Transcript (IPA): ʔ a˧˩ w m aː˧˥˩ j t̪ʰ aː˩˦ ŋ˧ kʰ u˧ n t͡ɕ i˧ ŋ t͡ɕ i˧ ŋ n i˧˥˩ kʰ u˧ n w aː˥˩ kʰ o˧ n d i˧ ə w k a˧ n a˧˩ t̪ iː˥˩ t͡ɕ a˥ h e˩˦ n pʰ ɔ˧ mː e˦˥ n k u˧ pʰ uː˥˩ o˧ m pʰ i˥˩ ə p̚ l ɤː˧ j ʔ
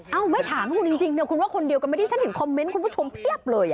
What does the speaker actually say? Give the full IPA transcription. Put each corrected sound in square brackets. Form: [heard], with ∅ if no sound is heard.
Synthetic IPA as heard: ʔ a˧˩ w m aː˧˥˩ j t̪ʰ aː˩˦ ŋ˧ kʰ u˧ n t͡ɕ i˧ ŋ t͡ɕ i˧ ŋ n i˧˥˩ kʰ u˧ n w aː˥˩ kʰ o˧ n d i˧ ə w k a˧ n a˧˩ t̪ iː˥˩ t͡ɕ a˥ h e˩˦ n [kʰ] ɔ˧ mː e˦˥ n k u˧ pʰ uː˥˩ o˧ m pʰ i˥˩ ə p̚ l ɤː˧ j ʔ